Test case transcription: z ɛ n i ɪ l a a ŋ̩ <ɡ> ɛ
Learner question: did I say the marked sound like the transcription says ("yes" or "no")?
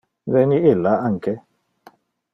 no